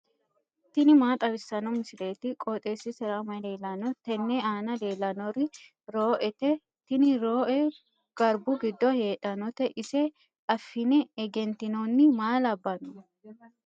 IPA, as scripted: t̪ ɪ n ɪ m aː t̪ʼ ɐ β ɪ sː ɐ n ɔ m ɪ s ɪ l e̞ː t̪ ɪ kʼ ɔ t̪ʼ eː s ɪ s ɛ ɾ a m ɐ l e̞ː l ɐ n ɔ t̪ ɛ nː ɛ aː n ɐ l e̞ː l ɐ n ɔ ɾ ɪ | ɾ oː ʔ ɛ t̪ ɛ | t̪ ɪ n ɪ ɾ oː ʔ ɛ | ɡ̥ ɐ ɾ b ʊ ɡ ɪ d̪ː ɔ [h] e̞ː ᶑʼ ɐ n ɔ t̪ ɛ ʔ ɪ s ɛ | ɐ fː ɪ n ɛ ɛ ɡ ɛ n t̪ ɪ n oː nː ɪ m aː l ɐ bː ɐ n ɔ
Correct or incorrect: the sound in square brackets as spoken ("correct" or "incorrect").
correct